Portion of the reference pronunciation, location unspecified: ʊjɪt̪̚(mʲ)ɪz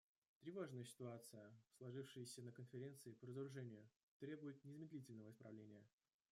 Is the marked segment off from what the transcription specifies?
yes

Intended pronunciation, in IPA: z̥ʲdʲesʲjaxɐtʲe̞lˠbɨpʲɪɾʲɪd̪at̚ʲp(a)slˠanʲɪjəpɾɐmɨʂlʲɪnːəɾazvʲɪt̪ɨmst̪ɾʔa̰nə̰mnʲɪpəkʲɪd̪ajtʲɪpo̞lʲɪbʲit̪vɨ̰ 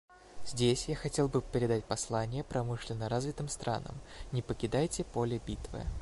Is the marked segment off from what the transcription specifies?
yes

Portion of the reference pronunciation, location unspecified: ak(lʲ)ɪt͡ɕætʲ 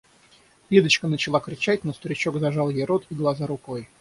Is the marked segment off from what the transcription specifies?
yes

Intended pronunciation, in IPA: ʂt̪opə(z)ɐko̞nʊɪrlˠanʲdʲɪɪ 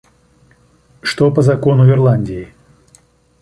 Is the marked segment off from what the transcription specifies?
no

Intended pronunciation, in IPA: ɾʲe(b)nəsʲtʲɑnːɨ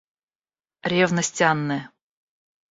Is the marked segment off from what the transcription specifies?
yes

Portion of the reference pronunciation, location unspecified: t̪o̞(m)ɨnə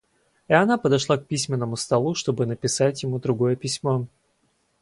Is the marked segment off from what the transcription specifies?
yes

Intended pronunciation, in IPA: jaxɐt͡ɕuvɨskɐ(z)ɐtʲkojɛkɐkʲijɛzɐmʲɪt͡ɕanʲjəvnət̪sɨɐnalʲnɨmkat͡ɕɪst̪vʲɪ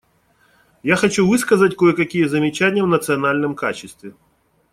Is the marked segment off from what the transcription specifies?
no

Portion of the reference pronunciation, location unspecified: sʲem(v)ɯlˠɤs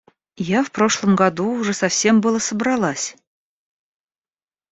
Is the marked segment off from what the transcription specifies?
yes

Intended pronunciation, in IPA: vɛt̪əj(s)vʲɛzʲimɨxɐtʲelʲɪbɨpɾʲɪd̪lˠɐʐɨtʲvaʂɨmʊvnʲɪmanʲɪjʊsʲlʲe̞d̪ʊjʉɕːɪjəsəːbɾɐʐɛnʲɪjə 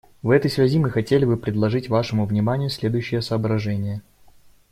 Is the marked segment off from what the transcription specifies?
no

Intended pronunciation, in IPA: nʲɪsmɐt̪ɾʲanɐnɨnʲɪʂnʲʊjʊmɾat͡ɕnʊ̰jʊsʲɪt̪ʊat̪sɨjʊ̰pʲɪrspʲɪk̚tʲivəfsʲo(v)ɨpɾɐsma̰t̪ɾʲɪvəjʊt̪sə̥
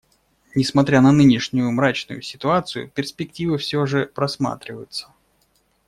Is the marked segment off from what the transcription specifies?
yes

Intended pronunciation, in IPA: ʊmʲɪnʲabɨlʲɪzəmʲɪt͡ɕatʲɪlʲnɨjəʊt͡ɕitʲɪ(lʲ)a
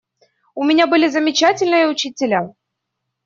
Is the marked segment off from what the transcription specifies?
no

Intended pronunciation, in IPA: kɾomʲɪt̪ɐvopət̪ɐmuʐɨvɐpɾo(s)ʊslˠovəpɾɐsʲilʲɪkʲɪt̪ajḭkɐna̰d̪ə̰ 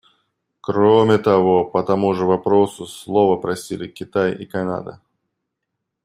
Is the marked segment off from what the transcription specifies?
no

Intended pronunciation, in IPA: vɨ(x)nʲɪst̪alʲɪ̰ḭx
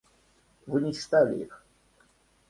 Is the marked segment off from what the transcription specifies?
yes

